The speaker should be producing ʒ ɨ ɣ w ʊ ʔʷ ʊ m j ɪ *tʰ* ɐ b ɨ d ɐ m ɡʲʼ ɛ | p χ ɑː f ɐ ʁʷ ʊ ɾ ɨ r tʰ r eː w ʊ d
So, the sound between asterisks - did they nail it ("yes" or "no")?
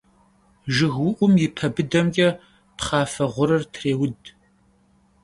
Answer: no